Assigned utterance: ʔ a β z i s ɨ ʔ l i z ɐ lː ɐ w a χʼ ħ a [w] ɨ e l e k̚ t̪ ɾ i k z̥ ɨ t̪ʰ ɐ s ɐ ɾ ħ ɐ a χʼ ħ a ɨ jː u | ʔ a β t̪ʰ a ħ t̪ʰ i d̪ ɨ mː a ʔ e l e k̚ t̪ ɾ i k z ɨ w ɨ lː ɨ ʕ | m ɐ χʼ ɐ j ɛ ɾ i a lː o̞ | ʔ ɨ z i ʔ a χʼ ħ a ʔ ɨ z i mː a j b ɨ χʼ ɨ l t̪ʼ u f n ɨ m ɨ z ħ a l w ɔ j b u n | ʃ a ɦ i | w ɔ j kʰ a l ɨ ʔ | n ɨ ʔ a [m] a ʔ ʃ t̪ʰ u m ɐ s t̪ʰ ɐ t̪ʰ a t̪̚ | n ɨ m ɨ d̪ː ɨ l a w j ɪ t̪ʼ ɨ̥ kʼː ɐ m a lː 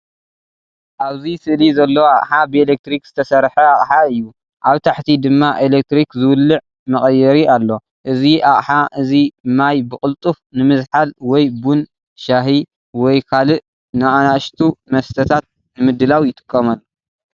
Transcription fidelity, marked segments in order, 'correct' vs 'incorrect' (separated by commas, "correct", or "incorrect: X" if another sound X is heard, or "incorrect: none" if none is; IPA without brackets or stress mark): incorrect: b, incorrect: n